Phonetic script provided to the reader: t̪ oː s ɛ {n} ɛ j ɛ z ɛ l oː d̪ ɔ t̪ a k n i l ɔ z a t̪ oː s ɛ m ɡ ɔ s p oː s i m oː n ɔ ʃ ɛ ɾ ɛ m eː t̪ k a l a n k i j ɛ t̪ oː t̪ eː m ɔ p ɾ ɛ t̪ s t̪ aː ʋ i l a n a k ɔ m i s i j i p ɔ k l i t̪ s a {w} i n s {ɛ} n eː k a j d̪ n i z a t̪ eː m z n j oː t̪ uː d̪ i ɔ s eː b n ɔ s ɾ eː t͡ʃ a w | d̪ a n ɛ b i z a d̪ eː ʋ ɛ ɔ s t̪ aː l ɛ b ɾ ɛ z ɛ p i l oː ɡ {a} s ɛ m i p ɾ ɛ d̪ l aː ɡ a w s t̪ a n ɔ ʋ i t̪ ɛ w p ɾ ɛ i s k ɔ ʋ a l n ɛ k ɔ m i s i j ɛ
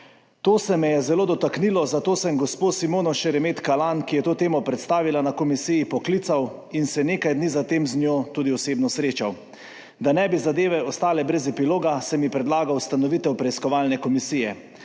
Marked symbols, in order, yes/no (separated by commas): no, yes, yes, yes